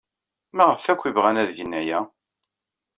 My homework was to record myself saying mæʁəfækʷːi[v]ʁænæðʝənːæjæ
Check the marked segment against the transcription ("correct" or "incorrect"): correct